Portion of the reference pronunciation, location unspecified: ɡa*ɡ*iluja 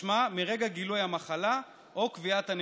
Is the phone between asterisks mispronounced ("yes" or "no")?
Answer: no